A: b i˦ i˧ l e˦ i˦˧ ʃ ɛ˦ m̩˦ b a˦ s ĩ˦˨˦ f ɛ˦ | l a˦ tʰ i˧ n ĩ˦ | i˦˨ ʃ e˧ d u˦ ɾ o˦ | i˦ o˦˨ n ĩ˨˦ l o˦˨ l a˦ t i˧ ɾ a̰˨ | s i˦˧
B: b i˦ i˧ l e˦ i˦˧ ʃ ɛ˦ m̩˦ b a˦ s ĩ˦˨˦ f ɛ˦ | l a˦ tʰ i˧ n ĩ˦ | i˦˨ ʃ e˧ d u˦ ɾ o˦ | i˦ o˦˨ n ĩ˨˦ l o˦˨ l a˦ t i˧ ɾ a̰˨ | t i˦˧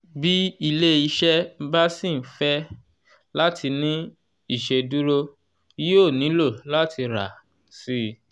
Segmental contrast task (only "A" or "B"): A